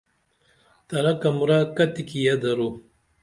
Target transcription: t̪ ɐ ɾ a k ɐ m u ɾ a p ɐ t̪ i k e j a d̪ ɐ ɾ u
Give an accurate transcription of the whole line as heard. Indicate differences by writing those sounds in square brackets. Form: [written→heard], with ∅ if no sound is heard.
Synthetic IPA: t̪ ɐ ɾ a k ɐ m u ɾ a [p→k] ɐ t̪ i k [e→i] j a d̪ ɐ ɾ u